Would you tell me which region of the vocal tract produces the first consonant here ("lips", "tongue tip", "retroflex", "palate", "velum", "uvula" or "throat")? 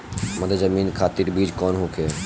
lips